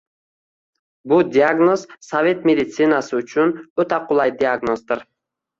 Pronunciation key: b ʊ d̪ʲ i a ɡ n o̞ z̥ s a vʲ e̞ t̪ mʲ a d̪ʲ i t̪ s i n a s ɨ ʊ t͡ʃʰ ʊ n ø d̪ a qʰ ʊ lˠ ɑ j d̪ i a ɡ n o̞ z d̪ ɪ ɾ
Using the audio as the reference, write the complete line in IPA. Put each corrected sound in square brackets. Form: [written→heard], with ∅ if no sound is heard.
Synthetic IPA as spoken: b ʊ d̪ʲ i a ɡ n o̞ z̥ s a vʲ e̞ t̪ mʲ [a→e] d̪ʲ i t̪ s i n a s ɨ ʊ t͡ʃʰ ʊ n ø [d̪→t̪] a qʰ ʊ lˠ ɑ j d̪ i a ɡ n o̞ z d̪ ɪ ɾ